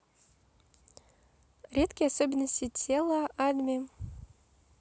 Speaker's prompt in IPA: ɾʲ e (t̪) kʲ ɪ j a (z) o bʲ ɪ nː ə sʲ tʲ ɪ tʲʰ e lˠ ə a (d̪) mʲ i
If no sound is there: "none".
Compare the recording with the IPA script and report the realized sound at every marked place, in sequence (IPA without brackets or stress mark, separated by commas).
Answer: t̪, s, d̪